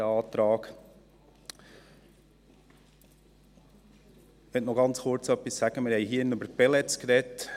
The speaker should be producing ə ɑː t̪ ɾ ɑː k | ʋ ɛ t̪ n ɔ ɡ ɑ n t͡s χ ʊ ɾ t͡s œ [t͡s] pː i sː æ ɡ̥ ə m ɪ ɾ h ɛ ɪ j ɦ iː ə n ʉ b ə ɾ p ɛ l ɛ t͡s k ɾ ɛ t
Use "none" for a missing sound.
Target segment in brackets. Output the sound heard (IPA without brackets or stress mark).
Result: none